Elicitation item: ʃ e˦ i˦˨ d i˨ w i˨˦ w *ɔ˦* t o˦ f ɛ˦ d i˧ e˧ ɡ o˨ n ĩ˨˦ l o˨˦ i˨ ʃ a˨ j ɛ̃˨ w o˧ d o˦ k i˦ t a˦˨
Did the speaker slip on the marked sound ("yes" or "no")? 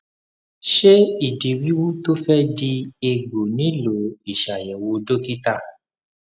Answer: yes